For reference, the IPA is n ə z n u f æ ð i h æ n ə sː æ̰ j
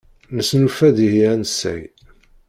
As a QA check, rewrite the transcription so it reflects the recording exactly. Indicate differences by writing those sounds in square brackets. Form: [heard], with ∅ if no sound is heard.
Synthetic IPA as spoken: n ə [s] n u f æ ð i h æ n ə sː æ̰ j